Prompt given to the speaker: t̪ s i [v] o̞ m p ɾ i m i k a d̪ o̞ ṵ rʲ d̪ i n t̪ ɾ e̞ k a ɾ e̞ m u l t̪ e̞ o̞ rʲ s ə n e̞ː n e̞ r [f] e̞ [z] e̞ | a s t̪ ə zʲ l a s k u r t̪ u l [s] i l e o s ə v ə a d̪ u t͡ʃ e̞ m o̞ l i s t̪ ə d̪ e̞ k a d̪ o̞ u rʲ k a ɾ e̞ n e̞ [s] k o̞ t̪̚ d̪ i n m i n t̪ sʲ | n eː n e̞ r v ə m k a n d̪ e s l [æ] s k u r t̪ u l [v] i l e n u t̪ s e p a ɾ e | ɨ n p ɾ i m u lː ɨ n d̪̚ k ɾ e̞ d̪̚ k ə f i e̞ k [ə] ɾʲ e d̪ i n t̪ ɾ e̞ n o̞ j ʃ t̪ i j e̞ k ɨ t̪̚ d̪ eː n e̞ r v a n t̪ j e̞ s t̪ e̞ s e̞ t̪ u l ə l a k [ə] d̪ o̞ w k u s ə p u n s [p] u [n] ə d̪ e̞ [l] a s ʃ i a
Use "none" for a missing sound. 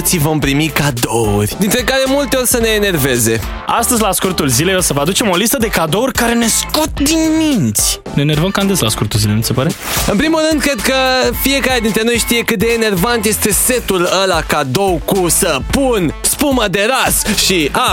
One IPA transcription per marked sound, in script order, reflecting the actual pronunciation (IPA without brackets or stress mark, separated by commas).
v, v, z, z, s, a, z, a, a, p, m, ɾ